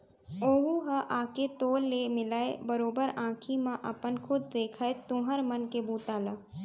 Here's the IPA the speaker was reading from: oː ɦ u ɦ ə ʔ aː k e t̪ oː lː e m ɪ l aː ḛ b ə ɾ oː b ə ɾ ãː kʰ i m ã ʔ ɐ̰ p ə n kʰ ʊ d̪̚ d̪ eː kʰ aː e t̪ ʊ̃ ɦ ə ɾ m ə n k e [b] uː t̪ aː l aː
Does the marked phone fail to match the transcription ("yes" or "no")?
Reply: no